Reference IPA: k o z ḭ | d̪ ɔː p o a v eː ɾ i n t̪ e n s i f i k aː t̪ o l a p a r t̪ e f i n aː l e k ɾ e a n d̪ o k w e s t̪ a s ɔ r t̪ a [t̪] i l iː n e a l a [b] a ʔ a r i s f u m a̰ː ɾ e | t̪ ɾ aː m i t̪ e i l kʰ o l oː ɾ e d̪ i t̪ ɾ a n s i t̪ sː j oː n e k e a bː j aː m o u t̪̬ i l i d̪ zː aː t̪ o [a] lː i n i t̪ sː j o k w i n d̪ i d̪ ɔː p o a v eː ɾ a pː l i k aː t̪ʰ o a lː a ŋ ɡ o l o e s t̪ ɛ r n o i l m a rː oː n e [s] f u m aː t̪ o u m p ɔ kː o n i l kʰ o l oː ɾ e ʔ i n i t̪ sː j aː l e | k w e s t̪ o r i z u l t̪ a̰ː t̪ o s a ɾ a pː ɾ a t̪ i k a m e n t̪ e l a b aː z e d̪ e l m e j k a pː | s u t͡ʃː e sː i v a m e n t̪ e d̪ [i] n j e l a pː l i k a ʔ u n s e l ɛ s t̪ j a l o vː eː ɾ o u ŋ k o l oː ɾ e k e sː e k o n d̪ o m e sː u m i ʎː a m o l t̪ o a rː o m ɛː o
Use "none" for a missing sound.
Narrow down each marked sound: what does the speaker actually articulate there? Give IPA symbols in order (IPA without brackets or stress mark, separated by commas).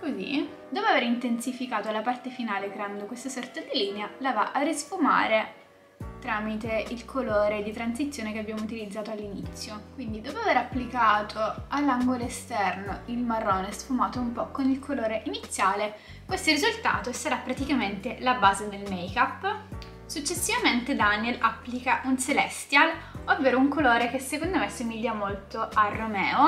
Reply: d̪, v, a, s, a